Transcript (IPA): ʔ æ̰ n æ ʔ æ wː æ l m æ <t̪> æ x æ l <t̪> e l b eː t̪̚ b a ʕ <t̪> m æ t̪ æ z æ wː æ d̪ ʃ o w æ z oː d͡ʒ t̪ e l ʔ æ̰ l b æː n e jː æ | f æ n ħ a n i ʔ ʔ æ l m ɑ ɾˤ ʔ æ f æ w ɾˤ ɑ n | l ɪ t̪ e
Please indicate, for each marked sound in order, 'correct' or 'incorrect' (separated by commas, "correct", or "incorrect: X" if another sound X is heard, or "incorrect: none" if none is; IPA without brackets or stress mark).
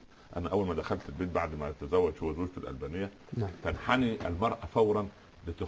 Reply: incorrect: d̪, correct, incorrect: d̪